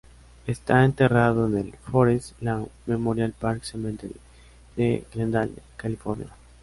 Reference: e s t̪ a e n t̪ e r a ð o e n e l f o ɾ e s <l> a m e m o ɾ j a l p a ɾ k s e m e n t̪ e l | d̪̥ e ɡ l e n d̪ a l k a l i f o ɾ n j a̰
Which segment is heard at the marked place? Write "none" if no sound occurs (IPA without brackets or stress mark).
l